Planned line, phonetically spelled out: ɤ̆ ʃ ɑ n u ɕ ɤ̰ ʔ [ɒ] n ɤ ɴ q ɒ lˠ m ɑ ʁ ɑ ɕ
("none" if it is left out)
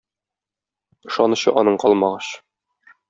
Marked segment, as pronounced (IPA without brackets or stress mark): ɒ